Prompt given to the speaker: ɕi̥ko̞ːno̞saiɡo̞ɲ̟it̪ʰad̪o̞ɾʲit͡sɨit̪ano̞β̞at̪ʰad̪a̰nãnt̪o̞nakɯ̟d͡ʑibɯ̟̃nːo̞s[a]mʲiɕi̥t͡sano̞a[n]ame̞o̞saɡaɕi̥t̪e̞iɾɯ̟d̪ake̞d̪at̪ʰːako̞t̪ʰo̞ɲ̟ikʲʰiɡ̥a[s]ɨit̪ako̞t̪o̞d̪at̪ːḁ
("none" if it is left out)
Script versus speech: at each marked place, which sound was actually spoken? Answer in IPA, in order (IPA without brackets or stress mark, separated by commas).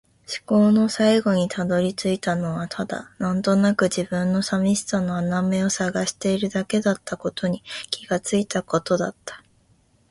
a, n, t͡s